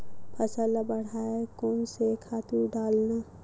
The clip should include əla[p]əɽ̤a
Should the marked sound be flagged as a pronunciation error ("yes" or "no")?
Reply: yes